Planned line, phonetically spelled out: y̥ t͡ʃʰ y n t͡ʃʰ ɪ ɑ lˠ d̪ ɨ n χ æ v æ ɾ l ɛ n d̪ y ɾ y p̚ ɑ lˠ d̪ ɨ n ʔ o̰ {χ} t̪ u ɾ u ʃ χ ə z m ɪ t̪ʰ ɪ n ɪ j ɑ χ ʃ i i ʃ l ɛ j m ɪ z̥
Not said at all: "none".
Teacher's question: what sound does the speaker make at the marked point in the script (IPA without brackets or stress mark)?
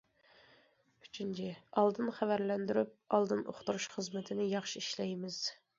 χ